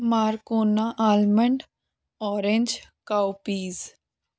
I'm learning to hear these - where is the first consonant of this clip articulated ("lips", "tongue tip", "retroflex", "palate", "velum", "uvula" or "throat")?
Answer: lips